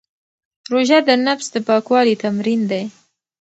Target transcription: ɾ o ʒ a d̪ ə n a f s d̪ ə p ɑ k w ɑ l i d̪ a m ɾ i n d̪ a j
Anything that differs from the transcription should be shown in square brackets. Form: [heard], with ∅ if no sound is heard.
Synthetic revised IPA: ɾ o ʒ a d̪ ə n a f s d̪ ə p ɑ k w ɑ l i [t̪] a m ɾ i n d̪ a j